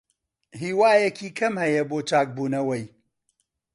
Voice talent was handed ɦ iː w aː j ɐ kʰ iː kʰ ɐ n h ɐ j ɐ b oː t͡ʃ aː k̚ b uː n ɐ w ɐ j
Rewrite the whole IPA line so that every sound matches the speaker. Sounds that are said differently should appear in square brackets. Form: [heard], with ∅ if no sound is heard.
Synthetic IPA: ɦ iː w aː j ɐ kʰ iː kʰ ɐ [m] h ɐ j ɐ b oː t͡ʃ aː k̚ b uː n ɐ w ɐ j